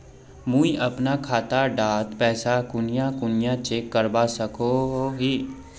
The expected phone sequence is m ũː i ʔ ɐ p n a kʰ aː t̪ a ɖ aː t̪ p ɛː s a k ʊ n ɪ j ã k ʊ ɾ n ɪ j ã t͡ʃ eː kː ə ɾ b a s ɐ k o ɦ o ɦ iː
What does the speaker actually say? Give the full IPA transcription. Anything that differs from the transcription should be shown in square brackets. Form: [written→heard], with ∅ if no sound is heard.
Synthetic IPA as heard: m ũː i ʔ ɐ p n a kʰ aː t̪ a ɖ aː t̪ p ɛː s a k ʊ n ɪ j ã k ʊ [ɾ→∅] n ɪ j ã t͡ʃ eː kː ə ɾ b a s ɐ k o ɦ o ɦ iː

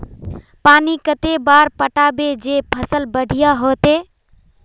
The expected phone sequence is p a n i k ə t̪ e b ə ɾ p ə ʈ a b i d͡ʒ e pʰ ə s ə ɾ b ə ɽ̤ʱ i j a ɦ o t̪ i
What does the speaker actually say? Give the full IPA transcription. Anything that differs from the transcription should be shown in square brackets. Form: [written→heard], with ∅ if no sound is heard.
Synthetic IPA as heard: p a n i k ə t̪ e b [ə→a] ɾ p ə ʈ a b [i→e] d͡ʒ e pʰ ə s ə [ɾ→l] b ə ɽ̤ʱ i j a ɦ o t̪ [i→e]

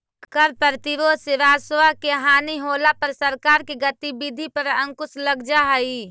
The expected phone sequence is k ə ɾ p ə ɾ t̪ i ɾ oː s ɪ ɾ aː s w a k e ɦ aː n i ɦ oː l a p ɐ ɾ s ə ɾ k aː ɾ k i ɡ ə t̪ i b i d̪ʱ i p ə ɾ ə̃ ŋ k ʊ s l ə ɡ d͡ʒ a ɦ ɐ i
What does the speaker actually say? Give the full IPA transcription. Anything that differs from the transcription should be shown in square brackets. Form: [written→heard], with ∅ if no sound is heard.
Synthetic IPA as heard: k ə ɾ p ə ɾ t̪ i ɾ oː s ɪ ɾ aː s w a k e ɦ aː n i ɦ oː l a p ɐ ɾ s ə ɾ k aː ɾ k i ɡ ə t̪ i b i d̪ʱ i p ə ɾ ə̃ ŋ k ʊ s l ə ɡ d͡ʒ a ɦ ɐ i

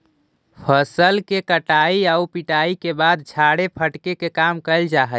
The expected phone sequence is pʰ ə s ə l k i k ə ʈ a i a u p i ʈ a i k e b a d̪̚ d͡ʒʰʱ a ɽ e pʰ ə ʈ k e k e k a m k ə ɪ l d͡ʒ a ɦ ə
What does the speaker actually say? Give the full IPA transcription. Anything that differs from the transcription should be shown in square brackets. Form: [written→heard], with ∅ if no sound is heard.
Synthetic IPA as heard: pʰ ə s ə l k [i→e] k ə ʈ a i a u p i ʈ a i k e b a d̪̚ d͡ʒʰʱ a ɽ e pʰ ə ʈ k e k e k a m k ə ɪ l d͡ʒ a ɦ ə

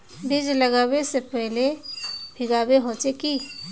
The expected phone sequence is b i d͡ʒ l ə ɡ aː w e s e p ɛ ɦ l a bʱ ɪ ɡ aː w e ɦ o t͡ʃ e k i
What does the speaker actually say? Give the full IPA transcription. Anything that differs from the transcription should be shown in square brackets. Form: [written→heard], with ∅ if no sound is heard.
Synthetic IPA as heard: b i d͡ʒ l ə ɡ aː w e s e p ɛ ɦ l [a→e] bʱ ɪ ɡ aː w e ɦ o t͡ʃ e k i

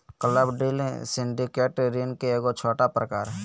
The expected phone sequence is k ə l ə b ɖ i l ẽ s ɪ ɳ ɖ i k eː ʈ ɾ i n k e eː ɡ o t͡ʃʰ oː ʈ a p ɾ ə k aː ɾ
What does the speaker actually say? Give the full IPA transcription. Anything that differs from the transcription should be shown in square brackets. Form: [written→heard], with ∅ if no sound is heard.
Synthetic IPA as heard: k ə l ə b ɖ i l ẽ s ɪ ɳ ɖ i k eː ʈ ɾ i n k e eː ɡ o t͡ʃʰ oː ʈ a p ɾ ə k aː ɾ

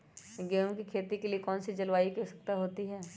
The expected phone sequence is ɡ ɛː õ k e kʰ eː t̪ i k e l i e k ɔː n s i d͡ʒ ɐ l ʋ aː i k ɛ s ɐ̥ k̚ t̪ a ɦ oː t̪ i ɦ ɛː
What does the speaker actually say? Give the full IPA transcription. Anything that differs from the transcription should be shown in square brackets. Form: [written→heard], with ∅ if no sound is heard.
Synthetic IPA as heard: ɡ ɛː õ k [e→i] kʰ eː t̪ i k e l i e k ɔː n s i d͡ʒ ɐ l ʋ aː i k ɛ s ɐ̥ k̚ t̪ a ɦ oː t̪ i ɦ ɛː

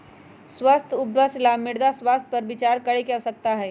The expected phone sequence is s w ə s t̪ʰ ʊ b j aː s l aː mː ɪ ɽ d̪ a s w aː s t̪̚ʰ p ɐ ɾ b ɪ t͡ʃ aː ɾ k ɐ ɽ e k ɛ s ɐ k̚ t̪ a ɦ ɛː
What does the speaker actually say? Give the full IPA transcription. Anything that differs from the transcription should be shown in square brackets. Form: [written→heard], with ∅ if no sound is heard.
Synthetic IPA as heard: s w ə s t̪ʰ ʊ b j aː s l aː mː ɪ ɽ d̪ a s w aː s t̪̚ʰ p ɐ ɾ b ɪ t͡ʃ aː ɾ k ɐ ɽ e k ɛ s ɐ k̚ t̪ a ɦ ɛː

